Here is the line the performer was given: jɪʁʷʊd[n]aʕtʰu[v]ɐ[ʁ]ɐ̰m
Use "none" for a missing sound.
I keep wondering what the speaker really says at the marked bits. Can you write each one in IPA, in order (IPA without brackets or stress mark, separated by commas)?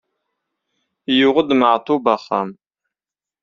m, b, χ